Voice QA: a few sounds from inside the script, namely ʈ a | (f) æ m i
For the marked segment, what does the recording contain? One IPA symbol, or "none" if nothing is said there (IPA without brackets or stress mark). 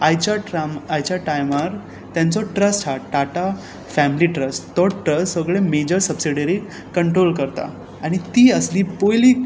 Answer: f